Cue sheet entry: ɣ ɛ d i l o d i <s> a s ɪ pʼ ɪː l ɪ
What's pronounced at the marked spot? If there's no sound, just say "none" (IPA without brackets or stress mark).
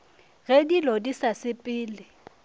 s